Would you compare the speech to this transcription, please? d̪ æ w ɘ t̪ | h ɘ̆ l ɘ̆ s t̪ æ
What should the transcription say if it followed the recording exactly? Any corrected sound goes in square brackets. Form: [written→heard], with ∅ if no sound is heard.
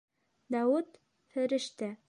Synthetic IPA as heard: d̪ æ w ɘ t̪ | [h→f] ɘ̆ [l→ɾ] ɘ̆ [s→ʃ] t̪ æ